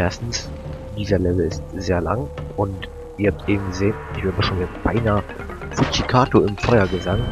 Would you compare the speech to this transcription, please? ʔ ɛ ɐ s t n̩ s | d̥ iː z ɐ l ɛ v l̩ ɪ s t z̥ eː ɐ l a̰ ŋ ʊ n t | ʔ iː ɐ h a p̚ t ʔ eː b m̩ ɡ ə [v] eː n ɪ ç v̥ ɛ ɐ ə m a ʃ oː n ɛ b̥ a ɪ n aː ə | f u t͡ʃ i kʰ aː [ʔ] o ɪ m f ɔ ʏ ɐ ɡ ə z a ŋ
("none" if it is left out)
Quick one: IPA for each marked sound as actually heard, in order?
z, t

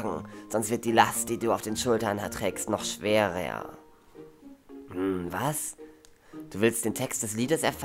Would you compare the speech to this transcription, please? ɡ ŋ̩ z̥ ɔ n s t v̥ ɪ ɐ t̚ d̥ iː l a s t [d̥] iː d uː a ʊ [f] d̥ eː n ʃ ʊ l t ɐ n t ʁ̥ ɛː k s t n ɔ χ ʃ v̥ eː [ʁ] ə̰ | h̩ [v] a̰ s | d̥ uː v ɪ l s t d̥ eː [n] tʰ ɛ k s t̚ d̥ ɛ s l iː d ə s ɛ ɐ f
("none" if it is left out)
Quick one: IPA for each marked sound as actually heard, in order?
d̥, f, ʁ, v, n

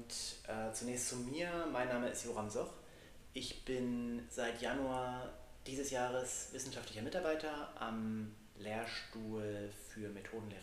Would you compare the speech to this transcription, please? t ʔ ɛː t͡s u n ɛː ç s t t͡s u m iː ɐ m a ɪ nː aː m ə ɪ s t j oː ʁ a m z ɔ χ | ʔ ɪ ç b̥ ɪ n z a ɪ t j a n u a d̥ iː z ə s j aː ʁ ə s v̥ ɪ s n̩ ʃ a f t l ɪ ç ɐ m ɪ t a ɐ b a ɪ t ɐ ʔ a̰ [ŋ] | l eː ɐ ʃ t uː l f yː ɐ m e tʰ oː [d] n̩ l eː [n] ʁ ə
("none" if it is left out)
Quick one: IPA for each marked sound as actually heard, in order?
m, d, none

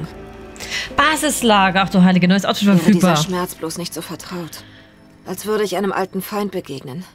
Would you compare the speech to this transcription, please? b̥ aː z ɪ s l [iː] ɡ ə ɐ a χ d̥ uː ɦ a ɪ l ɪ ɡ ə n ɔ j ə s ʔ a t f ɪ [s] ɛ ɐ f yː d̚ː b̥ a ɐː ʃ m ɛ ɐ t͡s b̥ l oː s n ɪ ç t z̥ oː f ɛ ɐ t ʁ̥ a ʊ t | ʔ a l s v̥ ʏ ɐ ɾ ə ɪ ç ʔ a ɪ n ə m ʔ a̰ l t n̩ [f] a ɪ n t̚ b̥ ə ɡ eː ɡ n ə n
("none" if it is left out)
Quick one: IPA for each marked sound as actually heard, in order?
aː, f, f

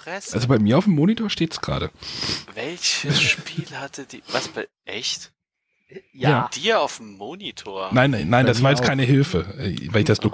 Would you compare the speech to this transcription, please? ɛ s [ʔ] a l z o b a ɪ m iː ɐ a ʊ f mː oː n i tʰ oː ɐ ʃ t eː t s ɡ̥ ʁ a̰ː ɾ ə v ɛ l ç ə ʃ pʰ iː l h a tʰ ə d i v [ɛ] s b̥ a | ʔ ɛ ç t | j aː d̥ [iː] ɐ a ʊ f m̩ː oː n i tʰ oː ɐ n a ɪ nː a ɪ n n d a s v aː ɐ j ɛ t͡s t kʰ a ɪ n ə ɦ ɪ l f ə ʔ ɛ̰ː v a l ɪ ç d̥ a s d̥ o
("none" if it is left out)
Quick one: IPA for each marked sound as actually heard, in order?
ʔ, a, iː

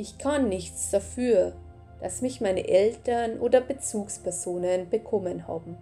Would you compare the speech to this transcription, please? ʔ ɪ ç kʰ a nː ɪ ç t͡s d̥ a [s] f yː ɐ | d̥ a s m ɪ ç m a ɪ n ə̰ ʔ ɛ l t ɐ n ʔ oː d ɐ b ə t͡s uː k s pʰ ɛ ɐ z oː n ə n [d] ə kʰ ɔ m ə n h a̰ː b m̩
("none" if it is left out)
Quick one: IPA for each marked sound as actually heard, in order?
none, b

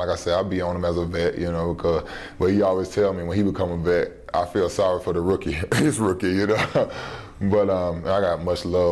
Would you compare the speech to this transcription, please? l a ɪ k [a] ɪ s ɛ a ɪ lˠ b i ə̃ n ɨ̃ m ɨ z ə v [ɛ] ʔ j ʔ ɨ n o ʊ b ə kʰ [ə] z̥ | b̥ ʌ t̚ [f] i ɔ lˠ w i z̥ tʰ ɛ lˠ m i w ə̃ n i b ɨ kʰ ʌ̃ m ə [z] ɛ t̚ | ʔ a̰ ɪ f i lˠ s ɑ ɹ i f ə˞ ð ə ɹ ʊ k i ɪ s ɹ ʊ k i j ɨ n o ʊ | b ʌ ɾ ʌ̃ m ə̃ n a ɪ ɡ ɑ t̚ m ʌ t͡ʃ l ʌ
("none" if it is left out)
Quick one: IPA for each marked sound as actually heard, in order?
a, ɛ, ʌ, h, v

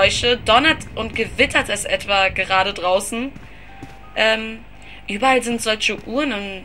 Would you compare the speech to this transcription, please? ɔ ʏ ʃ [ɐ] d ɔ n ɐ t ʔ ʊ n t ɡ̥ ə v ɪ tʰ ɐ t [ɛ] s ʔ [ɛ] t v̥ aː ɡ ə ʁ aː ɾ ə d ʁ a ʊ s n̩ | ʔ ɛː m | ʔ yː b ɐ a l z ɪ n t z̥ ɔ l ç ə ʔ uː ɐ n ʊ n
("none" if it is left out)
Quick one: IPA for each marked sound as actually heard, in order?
ə, ɛ, ɛ

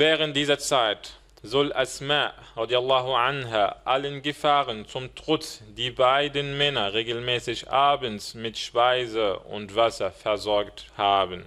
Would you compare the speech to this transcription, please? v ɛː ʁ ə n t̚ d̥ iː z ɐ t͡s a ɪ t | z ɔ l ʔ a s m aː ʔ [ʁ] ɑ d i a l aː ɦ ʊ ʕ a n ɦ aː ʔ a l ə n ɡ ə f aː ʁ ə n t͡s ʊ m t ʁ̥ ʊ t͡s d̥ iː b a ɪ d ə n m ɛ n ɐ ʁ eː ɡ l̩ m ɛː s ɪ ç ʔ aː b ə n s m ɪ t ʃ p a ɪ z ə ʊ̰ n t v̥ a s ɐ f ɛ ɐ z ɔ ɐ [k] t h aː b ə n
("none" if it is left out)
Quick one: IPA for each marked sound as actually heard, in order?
ʁ, k

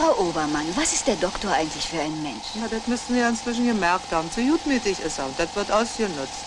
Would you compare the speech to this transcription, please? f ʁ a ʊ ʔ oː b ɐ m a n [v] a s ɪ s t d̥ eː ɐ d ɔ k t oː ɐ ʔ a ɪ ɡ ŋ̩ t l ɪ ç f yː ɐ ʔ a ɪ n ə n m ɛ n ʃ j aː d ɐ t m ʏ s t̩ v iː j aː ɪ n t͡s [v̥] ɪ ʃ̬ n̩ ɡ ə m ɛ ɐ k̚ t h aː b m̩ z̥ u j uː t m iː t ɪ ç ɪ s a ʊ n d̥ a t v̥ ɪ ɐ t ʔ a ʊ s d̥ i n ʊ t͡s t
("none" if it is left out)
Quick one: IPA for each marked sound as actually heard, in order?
v, v̥

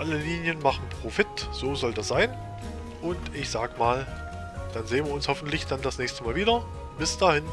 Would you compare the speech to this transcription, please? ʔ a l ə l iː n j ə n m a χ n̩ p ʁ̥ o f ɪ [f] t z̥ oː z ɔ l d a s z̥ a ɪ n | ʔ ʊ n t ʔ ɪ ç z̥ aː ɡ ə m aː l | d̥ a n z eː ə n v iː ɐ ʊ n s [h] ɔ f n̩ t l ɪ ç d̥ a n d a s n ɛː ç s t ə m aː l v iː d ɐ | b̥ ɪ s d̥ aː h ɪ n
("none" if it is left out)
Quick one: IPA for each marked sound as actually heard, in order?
none, h

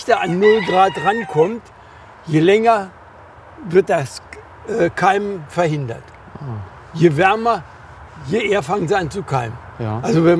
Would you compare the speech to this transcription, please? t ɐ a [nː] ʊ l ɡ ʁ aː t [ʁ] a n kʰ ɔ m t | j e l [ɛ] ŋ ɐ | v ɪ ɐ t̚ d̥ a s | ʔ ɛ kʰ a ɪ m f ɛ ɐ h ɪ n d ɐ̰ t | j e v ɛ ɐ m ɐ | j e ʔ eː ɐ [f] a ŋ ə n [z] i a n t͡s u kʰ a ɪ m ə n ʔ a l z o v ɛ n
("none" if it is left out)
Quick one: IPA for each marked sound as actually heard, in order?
nː, ʁ, ɛ, f, z

